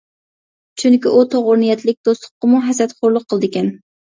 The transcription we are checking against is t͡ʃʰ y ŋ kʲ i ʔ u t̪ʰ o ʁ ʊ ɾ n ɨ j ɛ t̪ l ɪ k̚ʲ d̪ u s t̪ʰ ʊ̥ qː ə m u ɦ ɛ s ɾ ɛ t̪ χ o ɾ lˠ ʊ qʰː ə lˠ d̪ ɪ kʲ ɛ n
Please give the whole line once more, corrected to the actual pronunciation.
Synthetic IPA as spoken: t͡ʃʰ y ŋ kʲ i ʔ u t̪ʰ o ʁ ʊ ɾ n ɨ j ɛ t̪ l ɪ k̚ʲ d̪ o s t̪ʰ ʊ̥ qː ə m u ɦ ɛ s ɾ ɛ t̪ χ o ɾ lˠ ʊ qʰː ə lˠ d̪ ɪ kʲ ɛ n